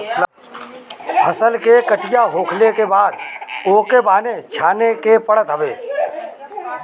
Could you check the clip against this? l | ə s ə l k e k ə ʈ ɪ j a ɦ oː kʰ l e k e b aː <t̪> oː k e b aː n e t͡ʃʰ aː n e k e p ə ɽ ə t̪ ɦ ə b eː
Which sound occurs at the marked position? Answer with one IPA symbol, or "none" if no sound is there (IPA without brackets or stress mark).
d̪